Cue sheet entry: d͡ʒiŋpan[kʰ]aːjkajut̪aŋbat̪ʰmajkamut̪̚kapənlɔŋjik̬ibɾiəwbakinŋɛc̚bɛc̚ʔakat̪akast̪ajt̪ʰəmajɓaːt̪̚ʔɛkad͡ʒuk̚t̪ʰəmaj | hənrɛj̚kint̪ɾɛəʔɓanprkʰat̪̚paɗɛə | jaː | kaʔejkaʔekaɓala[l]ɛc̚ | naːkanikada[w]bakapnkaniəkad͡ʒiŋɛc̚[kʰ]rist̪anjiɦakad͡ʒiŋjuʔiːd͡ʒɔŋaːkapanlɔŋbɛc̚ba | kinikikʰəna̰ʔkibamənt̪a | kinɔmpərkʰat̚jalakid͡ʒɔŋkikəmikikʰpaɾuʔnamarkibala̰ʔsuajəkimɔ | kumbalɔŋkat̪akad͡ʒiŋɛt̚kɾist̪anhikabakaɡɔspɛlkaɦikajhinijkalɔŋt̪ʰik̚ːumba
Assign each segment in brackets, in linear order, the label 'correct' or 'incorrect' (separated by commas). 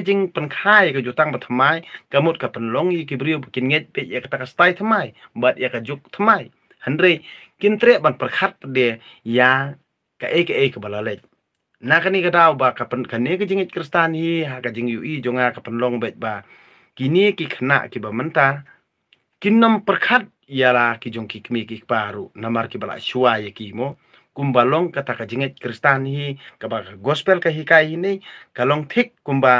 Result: correct, correct, correct, incorrect